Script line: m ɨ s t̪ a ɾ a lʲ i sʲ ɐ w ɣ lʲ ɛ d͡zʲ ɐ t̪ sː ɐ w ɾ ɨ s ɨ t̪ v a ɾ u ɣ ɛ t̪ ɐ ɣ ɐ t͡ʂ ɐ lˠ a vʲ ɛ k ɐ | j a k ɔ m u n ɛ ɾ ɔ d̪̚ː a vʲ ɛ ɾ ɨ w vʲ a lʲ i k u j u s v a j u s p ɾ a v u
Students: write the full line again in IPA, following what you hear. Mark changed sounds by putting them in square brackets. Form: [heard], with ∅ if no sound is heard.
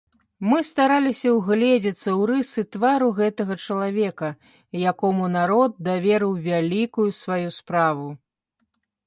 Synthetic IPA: m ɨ s t̪ a ɾ a lʲ i sʲ ɐ w ɣ lʲ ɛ d͡zʲ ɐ t̪ sː ɐ w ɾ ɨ s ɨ t̪ v a ɾ u ɣ ɛ t̪ ɐ ɣ ɐ t͡ʂ ɐ lˠ a vʲ ɛ k ɐ | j a k ɔ m u n [a] ɾ ɔ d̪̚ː a vʲ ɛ ɾ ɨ w vʲ a lʲ i k u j u s v a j u s p ɾ a v u